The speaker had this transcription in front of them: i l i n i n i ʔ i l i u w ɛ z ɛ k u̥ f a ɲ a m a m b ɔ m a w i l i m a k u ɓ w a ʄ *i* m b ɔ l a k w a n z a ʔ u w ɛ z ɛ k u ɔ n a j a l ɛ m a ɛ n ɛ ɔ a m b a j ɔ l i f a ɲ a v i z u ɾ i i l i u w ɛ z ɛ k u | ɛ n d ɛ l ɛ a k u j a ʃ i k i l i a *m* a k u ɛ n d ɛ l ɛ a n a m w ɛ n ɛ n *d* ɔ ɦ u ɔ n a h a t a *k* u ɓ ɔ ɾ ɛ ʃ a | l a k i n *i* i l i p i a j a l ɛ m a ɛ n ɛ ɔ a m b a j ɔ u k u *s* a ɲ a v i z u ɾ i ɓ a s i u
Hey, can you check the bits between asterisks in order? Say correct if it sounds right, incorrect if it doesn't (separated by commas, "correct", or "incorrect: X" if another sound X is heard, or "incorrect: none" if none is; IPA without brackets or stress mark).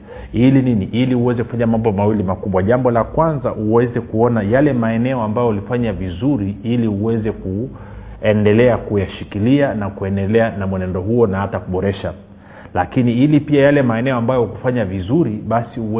incorrect: a, incorrect: n, correct, correct, correct, incorrect: f